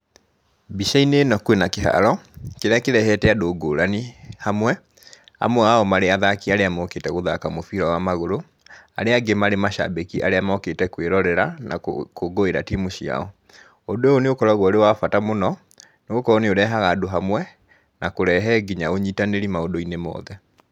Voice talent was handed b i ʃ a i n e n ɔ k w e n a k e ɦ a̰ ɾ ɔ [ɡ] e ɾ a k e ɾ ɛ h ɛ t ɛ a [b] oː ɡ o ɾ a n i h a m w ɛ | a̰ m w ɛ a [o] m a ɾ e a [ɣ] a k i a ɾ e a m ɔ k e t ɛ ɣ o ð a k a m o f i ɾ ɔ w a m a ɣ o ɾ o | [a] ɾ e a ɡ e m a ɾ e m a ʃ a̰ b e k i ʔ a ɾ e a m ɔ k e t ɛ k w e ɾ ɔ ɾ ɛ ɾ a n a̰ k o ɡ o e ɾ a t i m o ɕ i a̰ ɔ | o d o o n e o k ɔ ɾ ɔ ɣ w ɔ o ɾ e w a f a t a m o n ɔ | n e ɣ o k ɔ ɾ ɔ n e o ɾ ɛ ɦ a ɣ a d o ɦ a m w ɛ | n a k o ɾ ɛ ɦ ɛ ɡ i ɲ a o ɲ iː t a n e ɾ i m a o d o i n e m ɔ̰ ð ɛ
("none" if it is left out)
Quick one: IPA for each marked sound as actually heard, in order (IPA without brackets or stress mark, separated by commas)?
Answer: k, d, ɔ, ð, a